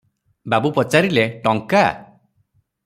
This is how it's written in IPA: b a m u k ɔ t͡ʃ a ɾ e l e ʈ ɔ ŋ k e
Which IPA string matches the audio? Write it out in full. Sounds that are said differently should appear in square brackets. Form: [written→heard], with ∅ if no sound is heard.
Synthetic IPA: b a [m→b] u [k→p] ɔ t͡ʃ a ɾ [e→i] l e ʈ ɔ ŋ k [e→a]